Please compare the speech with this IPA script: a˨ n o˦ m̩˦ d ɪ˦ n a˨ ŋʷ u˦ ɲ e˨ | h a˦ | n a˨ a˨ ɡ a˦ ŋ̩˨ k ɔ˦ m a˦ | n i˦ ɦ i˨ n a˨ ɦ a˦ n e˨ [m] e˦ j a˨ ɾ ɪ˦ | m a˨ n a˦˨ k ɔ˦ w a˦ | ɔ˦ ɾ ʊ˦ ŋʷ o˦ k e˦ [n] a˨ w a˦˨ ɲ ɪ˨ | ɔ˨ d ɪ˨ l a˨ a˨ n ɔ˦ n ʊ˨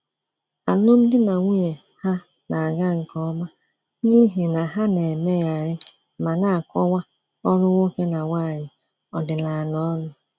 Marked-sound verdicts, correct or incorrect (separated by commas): correct, correct